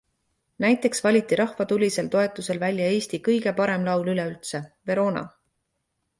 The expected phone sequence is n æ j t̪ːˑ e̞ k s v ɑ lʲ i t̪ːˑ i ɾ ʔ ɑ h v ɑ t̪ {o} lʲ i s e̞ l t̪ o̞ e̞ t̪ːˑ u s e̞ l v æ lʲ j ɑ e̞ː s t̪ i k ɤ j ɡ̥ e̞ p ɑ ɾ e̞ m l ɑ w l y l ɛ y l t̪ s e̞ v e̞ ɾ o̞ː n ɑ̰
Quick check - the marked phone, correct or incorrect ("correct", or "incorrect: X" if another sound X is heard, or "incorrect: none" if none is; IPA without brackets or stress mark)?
incorrect: u